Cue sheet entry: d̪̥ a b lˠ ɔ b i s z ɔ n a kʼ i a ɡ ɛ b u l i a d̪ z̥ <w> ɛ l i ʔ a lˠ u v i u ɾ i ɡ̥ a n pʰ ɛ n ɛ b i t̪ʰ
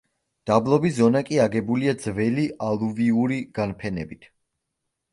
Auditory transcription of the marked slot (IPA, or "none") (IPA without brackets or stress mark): v